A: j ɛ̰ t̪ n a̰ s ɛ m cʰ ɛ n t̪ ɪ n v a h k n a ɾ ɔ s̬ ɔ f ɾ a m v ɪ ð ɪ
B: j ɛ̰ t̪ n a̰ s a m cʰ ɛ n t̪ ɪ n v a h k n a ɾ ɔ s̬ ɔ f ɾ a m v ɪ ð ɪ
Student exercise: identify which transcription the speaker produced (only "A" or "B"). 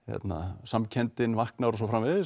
B